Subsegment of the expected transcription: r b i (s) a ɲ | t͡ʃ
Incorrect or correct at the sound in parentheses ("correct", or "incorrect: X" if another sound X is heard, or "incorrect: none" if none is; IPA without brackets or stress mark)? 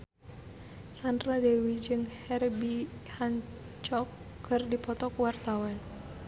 incorrect: h